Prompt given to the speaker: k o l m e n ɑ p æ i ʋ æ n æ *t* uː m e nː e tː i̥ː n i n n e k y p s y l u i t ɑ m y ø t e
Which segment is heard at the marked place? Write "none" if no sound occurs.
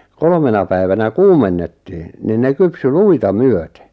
k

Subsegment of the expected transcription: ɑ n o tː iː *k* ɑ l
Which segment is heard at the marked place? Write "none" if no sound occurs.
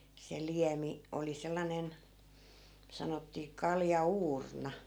k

